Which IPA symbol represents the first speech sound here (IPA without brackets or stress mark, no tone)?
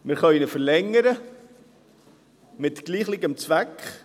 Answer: m